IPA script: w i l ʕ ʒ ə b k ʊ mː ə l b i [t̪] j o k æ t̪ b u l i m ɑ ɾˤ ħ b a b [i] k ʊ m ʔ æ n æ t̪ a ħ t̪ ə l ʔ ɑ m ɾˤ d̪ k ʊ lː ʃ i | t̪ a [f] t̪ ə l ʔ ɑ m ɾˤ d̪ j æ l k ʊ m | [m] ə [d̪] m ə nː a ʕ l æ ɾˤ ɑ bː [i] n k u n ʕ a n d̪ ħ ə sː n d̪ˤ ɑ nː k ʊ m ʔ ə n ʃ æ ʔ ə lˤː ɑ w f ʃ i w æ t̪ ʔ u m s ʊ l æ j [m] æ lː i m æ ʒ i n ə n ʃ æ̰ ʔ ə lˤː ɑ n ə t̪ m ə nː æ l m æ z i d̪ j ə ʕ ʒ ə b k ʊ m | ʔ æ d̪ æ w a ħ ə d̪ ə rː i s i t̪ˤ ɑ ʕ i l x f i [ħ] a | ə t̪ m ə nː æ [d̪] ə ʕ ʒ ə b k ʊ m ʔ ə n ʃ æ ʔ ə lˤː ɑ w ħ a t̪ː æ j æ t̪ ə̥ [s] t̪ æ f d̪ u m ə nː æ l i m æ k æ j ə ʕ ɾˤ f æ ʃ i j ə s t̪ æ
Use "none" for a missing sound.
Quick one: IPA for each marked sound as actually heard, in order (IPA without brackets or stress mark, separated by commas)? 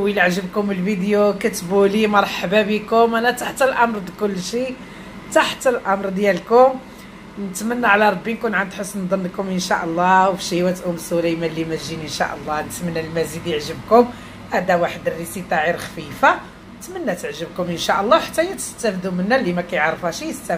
d̪, i, ħ, n, t̪, i, m, f, t̪, s